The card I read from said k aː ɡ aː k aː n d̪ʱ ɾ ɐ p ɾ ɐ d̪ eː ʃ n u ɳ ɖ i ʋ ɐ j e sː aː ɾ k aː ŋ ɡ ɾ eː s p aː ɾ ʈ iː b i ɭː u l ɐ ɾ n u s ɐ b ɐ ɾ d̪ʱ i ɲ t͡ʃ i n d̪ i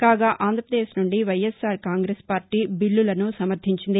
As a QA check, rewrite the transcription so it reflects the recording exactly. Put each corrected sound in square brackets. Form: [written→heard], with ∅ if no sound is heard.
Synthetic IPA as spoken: k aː ɡ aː [k→ʔ] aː n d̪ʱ ɾ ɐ p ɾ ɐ d̪ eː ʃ n u ɳ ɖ i ʋ ɐ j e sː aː ɾ k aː ŋ ɡ ɾ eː s p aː ɾ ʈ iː b i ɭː u l ɐ [ɾ→∅] n u s ɐ [b→m] ɐ ɾ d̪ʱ i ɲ t͡ʃ i n d̪ i

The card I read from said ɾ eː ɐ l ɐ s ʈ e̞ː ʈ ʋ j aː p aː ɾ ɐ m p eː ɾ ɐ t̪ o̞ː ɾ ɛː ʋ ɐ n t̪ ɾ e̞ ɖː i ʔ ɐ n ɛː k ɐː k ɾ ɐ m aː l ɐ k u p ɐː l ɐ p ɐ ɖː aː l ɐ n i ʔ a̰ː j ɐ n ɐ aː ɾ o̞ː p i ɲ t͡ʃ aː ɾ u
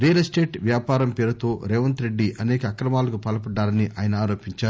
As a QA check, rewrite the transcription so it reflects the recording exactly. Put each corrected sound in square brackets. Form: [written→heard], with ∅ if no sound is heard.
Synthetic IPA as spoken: ɾ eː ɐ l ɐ s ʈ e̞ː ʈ ʋ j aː p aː ɾ ɐ m p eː ɾ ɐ t̪ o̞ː ɾ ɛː ʋ ɐ n t̪ ɾ e̞ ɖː i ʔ ɐ n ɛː k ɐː k ɾ ɐ m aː l ɐ k u p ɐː l ɐ p ɐ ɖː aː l ɐ n i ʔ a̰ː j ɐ n ɐ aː ɾ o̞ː p i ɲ t͡ʃ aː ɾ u

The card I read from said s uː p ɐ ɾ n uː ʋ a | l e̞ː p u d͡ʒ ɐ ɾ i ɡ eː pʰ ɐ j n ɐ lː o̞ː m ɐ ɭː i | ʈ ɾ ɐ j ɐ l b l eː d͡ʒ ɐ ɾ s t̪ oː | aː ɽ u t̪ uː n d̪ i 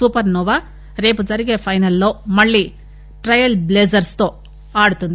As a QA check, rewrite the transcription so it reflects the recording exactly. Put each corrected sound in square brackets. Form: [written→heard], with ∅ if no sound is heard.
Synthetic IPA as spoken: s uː p ɐ ɾ n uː ʋ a | [l→ɾ] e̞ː p u d͡ʒ ɐ ɾ i ɡ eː pʰ ɐ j n ɐ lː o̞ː m ɐ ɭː i | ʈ ɾ ɐ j ɐ l b l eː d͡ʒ ɐ ɾ s t̪ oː | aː ɽ u t̪ [uː→u] n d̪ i

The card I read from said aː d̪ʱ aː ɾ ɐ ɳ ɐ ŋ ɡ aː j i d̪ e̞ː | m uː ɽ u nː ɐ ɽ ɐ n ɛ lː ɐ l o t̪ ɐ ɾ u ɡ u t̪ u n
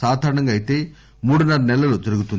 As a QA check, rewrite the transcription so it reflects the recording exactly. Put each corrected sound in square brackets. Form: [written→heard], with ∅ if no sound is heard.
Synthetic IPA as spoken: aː d̪ʱ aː ɾ ɐ ɳ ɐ ŋ ɡ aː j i [d̪→t̪] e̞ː | m uː ɽ u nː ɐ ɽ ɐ n ɛ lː ɐ l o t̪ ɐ ɾ u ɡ u t̪ u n

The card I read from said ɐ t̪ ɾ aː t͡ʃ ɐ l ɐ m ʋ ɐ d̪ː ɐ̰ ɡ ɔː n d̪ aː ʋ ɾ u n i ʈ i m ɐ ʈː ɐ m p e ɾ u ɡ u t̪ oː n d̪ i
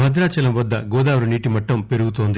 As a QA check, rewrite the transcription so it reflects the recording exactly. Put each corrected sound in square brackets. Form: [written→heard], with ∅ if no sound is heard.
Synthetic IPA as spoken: ɐ [t̪→d̪] ɾ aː t͡ʃ ɐ l ɐ m ʋ ɐ d̪ː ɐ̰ ɡ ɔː [n→∅] d̪ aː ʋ ɾ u n [i→iː] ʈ i m ɐ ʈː ɐ m p e ɾ u ɡ u t̪ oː n d̪ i

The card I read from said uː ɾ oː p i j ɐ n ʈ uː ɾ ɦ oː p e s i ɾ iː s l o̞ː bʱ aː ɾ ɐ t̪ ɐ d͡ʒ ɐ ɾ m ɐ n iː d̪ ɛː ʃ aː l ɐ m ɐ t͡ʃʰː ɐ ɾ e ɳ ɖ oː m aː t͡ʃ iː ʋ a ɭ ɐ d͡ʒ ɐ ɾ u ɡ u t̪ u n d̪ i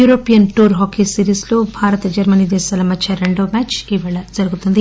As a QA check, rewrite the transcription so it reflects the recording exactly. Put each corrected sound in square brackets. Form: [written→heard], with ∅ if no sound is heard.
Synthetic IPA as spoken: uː ɾ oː p i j ɐ n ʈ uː ɾ ɦ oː [p→k] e s i ɾ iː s l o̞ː bʱ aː ɾ ɐ t̪ ɐ d͡ʒ ɐ ɾ m ɐ n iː d̪ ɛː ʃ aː l ɐ m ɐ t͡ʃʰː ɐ ɾ e ɳ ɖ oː m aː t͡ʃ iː ʋ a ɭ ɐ d͡ʒ ɐ ɾ u ɡ u t̪ u n d̪ i

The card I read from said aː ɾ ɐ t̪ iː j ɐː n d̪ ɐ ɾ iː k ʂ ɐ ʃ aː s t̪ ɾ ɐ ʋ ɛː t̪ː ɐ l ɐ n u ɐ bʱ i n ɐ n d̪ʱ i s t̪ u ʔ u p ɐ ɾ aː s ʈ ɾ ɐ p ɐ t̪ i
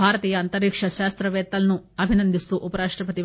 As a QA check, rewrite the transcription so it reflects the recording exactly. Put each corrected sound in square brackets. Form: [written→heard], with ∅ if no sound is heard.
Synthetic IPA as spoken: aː ɾ ɐ t̪ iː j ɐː n [d̪→t̪] ɐ ɾ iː k ʂ ɐ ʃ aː s t̪ ɾ ɐ ʋ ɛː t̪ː ɐ l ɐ n u ɐ bʱ i n ɐ n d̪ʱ i s t̪ u ʔ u p ɐ ɾ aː [s→ʂ] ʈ ɾ ɐ p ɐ t̪ i

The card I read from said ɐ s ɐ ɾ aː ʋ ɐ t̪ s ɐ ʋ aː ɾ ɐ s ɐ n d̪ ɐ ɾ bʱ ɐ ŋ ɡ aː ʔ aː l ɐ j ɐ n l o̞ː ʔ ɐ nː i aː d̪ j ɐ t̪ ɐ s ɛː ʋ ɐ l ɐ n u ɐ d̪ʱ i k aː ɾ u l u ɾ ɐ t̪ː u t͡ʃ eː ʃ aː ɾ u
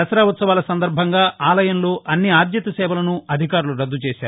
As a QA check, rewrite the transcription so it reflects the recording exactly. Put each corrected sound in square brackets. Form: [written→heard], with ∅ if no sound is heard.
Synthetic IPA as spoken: ɐ s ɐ ɾ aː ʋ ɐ t̪ s ɐ ʋ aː [ɾ→l] ɐ s ɐ n d̪ ɐ ɾ bʱ ɐ ŋ ɡ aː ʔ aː l ɐ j ɐ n l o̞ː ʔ ɐ nː i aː d̪ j ɐ t̪ ɐ s ɛː ʋ ɐ l ɐ n u ɐ d̪ʱ i k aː ɾ u l u ɾ ɐ [t̪ː→d̪ː] u t͡ʃ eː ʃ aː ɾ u

